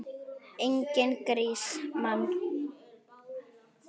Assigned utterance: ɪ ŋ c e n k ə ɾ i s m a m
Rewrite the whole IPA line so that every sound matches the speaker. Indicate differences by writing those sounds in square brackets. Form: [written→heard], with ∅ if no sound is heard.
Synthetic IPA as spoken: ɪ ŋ [c→k] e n k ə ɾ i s m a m